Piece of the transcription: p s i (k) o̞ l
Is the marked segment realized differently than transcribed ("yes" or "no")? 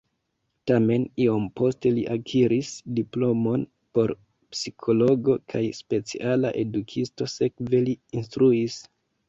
yes